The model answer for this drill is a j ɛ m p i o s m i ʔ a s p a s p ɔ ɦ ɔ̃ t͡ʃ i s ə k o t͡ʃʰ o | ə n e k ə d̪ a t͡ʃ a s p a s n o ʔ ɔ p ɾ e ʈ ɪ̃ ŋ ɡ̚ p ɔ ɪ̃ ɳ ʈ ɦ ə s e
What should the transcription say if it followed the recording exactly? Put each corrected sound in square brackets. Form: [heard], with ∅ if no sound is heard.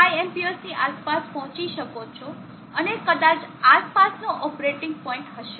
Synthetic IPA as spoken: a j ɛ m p i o s [n] i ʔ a s p a s p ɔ ɦ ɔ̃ t͡ʃ i [ʃ] ə k o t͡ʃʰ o | ə n e k ə d̪ a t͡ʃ a s p a s n o ʔ ɔ p ɾ e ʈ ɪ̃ ŋ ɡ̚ p ɔ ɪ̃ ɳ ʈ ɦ ə [ʃ] e